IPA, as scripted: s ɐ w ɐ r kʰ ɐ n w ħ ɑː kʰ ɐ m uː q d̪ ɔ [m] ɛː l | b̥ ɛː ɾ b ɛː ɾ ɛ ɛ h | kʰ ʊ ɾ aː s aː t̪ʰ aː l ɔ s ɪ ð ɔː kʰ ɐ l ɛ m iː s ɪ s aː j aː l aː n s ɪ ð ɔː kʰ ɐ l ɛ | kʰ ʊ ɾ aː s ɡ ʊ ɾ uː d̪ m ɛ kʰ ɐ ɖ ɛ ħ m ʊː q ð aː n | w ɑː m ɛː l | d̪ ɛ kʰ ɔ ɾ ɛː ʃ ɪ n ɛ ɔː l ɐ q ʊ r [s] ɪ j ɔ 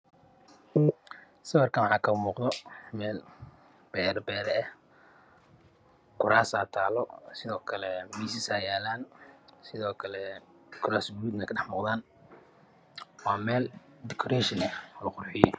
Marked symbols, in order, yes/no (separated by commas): yes, no